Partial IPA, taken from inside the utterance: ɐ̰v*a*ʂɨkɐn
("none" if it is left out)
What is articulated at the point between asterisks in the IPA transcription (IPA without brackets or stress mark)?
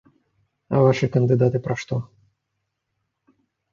a